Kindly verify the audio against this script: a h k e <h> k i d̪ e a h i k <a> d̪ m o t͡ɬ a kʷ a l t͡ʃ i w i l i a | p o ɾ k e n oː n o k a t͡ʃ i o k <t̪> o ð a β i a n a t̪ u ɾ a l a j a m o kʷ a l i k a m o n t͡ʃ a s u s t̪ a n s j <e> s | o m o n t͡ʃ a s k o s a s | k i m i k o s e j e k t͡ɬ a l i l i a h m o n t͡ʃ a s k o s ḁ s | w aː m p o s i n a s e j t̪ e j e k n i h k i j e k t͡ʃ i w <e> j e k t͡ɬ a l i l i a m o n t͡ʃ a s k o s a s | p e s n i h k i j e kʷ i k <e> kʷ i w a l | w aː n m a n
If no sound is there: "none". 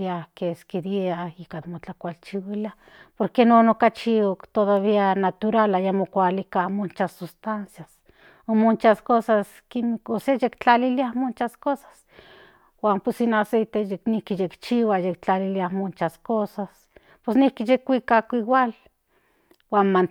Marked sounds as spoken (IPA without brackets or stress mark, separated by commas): s, a, t̪, a, a, a